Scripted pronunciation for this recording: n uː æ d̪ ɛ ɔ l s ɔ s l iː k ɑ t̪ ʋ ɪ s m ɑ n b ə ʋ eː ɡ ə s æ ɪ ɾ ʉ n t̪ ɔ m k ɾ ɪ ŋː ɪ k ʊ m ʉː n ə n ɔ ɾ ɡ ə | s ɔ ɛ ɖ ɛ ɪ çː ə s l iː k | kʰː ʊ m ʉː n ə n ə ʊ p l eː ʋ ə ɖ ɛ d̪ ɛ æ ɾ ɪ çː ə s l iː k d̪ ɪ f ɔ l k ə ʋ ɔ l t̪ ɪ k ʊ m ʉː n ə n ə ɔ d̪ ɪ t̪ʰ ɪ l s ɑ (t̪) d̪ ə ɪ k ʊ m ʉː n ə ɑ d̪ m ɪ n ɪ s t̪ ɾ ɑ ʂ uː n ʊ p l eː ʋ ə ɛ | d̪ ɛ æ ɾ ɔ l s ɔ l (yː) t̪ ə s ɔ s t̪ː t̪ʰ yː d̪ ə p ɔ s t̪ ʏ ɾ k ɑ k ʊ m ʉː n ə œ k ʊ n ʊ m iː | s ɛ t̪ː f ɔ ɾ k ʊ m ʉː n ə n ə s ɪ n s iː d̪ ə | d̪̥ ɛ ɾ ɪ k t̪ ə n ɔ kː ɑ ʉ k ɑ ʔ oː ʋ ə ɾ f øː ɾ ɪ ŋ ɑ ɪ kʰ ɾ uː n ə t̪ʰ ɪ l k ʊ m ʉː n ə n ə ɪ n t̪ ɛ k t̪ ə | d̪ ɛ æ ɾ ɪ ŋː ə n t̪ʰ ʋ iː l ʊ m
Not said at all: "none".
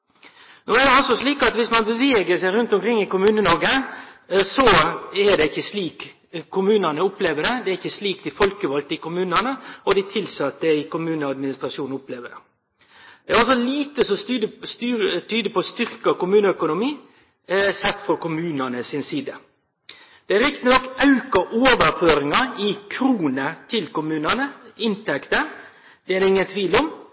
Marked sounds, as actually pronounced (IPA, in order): t̪, iː

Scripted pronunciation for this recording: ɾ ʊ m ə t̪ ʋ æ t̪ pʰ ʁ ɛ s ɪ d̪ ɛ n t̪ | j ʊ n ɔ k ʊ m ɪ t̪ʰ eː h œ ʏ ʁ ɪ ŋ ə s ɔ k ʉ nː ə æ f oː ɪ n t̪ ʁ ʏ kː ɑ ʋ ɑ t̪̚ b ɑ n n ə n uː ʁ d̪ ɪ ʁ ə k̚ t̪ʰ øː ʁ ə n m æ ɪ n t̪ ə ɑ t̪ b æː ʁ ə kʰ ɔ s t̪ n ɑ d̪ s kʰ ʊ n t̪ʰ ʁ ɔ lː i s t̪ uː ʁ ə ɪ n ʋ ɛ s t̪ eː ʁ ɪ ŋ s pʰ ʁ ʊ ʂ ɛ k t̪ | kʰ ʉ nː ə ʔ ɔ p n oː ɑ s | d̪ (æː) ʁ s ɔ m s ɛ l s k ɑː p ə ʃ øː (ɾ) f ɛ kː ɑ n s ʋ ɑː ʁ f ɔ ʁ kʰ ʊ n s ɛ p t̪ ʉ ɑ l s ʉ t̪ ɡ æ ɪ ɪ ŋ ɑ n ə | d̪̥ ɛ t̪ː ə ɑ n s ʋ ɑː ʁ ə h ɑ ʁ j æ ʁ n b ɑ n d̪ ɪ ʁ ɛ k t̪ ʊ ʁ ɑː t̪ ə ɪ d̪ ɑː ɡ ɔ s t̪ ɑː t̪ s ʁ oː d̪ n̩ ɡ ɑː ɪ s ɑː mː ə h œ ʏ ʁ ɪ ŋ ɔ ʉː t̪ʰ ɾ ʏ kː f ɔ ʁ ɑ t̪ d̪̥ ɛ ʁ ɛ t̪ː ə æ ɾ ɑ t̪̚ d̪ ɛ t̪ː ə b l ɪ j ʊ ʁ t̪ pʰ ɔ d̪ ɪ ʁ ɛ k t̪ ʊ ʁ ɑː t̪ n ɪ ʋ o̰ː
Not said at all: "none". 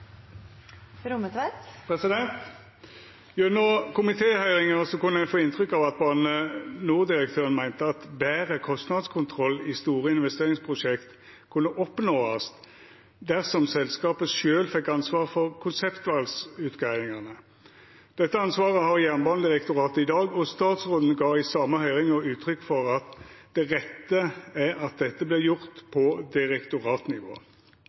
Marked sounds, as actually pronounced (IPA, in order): æ, l

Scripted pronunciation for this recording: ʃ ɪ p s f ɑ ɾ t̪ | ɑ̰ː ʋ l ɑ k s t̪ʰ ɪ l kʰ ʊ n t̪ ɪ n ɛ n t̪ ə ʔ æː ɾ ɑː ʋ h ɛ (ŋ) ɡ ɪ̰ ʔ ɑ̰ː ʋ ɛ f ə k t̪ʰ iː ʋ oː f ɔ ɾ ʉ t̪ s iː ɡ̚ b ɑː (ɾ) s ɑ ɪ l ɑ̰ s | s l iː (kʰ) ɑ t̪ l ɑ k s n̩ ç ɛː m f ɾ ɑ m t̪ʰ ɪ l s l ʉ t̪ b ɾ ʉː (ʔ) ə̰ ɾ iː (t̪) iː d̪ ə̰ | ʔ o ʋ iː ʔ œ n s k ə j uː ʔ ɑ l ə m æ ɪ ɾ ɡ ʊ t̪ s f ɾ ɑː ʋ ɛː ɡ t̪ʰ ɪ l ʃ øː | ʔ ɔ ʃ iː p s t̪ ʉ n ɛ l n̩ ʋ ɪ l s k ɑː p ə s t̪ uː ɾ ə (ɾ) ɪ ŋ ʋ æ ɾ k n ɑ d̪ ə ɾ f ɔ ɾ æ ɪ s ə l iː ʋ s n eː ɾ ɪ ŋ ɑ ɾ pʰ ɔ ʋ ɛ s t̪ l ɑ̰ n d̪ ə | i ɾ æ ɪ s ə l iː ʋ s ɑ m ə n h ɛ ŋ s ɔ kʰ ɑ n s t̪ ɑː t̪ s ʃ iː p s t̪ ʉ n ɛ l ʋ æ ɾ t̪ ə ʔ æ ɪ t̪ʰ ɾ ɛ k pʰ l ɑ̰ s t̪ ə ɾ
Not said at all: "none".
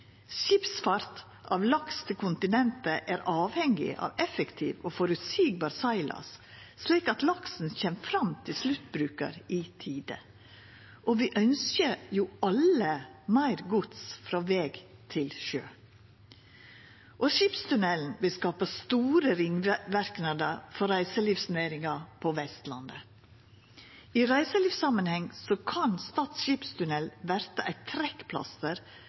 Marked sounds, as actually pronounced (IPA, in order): ŋ, ɾ, k, k, t̪ʰ, ɾ

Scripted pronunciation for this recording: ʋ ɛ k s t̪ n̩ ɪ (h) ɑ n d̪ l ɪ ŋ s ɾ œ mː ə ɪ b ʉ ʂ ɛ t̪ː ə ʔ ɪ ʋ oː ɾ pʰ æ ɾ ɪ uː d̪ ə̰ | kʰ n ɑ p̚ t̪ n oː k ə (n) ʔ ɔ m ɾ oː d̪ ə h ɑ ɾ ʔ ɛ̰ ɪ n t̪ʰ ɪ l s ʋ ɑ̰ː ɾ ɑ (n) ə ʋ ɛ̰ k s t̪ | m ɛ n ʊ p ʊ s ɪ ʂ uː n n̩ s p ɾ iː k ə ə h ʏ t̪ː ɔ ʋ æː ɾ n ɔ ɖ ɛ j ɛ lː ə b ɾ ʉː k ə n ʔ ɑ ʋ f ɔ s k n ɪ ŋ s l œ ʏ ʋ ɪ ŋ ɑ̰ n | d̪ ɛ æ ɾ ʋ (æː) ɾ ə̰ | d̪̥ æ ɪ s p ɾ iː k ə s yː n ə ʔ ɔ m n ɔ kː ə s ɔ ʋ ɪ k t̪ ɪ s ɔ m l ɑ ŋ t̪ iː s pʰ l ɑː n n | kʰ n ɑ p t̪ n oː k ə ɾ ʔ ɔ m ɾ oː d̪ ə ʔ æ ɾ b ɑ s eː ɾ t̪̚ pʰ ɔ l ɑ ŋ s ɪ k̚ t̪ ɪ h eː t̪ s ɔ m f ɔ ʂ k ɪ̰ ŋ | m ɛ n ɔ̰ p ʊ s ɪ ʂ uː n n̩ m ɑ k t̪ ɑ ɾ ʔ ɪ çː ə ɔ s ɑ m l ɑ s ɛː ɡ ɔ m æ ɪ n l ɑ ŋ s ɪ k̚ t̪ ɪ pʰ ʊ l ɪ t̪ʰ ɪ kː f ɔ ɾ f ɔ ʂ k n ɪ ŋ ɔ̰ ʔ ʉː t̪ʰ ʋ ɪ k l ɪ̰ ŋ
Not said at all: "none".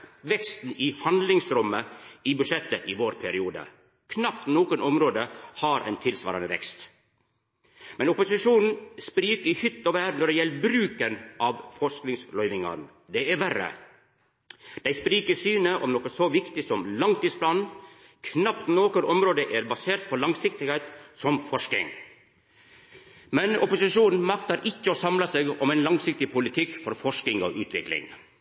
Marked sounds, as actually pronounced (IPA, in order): h, n, n, æ

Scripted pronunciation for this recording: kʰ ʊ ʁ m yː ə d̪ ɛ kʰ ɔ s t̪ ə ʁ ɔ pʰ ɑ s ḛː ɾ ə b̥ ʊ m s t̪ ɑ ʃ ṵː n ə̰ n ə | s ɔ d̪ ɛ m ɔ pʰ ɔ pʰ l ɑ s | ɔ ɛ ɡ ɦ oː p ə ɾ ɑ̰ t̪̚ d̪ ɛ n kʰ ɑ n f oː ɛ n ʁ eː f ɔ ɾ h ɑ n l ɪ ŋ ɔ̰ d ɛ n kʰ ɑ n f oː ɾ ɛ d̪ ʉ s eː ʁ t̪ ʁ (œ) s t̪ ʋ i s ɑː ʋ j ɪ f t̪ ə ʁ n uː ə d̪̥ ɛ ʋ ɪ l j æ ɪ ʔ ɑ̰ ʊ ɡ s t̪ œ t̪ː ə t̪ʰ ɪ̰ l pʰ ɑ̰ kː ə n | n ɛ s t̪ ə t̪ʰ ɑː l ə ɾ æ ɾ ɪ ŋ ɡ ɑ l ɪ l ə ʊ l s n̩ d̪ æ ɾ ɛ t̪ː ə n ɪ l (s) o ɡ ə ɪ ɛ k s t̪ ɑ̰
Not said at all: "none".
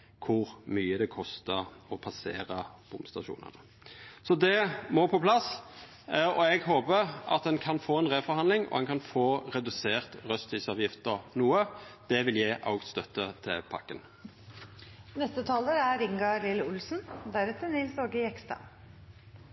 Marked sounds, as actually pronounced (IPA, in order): œ, s

